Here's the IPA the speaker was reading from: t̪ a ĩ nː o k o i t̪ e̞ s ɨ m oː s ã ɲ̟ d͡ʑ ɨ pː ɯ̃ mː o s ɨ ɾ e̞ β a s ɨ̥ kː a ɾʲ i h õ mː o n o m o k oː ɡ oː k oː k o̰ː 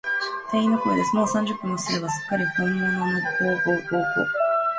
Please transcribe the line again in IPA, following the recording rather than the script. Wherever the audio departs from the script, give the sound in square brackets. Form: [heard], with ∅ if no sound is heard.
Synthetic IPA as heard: t̪ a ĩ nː o k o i [d̪] e̞ s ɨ m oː s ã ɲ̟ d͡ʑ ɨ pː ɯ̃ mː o s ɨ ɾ e̞ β a s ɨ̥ kː a ɾʲ i h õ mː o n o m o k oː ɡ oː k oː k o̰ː

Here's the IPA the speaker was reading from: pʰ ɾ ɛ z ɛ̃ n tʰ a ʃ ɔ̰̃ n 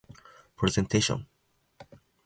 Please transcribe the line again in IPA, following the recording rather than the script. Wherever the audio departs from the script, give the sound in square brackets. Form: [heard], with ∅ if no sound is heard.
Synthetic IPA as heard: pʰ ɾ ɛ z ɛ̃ n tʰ [e] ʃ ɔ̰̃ n

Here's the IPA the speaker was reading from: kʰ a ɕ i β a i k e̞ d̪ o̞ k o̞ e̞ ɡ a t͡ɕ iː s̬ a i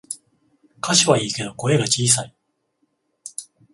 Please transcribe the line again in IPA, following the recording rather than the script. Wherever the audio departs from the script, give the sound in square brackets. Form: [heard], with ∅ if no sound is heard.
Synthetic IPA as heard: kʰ a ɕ i β a [iː] k e̞ d̪ o̞ k o̞ e̞ ɡ a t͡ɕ iː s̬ a i

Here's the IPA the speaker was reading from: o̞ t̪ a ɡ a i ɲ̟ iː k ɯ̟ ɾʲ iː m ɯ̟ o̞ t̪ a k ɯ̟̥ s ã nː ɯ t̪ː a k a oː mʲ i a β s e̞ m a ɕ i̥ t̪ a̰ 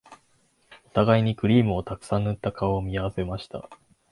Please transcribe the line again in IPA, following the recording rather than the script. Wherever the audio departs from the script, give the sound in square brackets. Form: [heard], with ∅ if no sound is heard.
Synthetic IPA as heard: o̞ t̪ a ɡ a i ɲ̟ [i] k ɯ̟ ɾʲ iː m ɯ̟ o̞ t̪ a k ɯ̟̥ s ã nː ɯ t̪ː a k a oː mʲ i a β s e̞ m a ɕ i̥ t̪ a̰

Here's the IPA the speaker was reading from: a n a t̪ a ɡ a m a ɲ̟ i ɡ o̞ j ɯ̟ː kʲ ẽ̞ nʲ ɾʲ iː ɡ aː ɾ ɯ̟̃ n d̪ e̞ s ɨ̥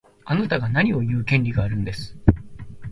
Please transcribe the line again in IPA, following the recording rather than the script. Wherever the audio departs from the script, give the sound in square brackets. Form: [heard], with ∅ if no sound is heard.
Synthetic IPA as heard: a n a t̪ a ɡ a [n] a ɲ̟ i [∅] o̞ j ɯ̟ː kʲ ẽ̞ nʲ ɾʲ [i] ɡ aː ɾ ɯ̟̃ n d̪ e̞ s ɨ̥

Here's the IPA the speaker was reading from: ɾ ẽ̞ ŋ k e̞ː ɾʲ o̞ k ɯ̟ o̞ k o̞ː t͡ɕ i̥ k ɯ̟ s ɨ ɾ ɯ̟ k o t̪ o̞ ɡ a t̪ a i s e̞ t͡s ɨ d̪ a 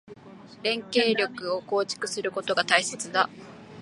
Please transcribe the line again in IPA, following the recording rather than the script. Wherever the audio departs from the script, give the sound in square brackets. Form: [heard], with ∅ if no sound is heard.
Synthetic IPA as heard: ɾ ẽ̞ ŋ k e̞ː ɾʲ o̞ k ɯ̟ o̞ k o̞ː t͡ɕ i̥ k ɯ̟ s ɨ ɾ ɯ̟ k o t̪ o̞ ɡ a t̪ a i s e̞ t͡s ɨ d̪ a

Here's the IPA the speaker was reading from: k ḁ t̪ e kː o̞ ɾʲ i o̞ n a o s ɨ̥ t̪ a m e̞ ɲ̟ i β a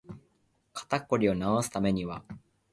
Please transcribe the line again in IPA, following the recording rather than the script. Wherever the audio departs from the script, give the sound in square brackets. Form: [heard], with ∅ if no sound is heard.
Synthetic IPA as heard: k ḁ t̪ [a] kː o̞ ɾʲ i o̞ n a o s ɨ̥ t̪ a m e̞ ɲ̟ i β a

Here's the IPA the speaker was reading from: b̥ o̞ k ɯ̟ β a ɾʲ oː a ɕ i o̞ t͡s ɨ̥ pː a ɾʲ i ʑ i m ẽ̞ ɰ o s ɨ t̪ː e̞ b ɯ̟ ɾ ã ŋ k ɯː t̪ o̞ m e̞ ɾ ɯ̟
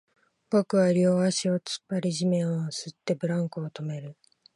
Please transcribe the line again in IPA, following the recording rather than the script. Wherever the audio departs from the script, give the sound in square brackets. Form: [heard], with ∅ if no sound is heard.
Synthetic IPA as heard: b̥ o̞ k ɯ̟ β a ɾʲ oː a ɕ i o̞ t͡s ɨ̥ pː a ɾʲ i ʑ i m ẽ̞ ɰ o s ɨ t̪ː e̞ b ɯ̟ ɾ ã ŋ k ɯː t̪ o̞ m e̞ ɾ ɯ̟

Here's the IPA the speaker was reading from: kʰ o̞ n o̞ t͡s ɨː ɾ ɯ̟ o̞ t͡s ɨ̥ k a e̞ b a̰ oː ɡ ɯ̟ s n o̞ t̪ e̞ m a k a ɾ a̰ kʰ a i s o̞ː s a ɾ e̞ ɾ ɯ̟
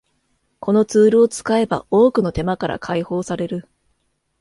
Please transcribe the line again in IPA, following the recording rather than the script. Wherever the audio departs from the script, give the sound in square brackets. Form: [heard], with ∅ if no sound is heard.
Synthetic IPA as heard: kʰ o̞ n o̞ t͡s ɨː ɾ ɯ̟ o̞ t͡s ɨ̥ k a e̞ b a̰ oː [k] ɯ̟ [∅] n o̞ t̪ e̞ m a k a ɾ a̰ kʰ a i [h] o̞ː s a ɾ e̞ ɾ ɯ̟

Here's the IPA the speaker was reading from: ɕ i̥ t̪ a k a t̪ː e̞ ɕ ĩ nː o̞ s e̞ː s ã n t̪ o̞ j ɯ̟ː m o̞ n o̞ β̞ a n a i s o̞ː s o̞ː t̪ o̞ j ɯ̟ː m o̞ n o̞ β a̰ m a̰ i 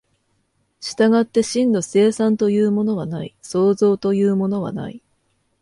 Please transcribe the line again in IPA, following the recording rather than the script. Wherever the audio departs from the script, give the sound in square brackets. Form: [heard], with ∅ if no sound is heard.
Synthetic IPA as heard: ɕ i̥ t̪ a [ɡ] a t̪ː e̞ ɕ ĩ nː o̞ s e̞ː s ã n t̪ o̞ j ɯ̟ː m o̞ n o̞ β̞ a n a i s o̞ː [z] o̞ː t̪ o̞ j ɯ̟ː m o̞ n o̞ β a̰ [n] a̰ i

